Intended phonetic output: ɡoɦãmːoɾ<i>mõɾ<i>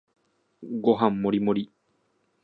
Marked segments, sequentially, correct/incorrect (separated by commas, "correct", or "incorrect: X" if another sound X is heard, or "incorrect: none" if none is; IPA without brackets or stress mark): correct, correct